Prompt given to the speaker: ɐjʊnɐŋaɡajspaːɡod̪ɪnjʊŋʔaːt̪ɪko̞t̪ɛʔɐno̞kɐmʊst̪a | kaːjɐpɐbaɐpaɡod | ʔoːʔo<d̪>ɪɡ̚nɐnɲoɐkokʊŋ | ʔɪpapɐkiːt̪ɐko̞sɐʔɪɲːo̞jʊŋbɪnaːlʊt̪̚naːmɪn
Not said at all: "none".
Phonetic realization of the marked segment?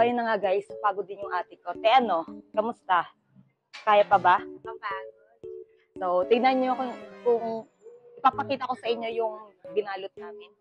t̪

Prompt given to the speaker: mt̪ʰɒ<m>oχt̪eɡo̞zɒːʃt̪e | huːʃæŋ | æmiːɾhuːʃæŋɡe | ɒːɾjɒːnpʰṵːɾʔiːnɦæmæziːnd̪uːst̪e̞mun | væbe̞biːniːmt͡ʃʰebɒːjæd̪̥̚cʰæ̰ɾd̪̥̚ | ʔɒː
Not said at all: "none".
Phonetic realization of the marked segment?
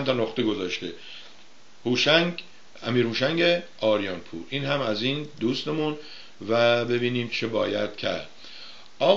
n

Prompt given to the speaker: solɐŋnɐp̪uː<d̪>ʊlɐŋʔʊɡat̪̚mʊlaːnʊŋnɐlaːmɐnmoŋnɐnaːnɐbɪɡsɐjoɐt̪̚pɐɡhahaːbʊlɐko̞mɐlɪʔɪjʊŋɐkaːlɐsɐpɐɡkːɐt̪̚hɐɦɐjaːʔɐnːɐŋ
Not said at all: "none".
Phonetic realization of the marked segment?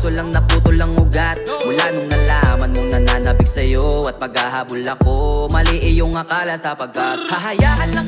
t̪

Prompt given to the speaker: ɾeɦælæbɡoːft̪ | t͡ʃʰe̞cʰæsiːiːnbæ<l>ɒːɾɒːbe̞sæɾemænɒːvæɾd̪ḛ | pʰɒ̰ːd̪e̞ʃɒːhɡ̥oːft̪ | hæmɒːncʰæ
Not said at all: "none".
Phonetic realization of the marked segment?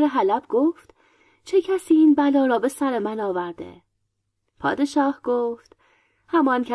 l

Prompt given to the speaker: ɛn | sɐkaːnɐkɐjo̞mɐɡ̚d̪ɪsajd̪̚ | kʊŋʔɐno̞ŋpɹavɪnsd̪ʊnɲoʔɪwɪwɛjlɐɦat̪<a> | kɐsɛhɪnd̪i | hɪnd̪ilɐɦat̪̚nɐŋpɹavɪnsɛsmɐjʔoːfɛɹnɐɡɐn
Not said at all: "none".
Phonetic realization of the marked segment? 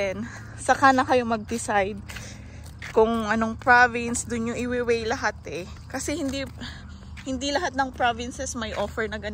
ɛ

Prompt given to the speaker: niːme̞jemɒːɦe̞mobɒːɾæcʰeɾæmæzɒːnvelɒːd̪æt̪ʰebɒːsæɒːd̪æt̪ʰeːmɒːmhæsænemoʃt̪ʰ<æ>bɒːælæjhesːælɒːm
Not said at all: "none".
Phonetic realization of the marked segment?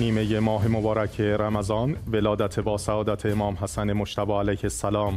æ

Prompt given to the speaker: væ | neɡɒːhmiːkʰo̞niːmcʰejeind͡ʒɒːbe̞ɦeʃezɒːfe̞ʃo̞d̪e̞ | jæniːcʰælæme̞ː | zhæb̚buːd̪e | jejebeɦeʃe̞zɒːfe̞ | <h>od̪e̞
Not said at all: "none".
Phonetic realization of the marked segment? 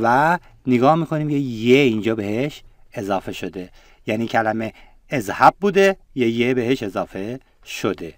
ʃ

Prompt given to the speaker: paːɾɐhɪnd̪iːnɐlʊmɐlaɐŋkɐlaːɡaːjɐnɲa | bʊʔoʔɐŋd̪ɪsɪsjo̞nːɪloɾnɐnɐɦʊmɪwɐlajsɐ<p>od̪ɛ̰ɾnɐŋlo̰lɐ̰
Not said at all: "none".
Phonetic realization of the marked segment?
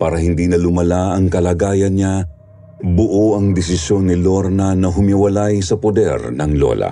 p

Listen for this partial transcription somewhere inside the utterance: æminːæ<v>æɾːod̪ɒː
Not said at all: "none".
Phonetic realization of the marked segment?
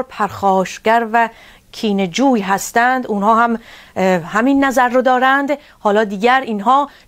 z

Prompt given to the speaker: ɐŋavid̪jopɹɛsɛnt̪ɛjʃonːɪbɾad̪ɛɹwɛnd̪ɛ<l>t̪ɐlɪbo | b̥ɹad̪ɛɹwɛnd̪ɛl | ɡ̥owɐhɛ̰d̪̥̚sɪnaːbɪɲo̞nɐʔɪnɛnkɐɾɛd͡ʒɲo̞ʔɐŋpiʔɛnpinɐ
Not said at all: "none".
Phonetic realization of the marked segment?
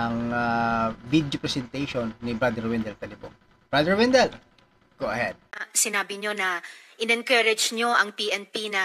l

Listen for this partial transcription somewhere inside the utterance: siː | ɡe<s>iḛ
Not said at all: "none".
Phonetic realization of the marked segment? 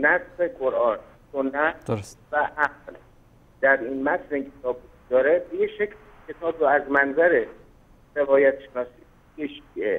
ʃ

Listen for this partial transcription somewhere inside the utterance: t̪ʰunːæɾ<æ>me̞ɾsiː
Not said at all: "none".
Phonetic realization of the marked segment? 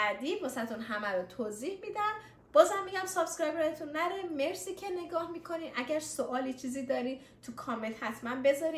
e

